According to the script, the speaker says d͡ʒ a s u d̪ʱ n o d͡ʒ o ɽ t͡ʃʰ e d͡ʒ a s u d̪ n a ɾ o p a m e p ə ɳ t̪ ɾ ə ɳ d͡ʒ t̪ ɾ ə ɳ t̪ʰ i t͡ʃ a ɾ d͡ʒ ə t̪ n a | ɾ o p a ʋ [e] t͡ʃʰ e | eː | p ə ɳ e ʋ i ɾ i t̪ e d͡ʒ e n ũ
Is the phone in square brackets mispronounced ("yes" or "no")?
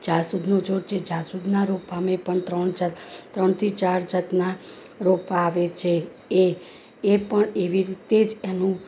no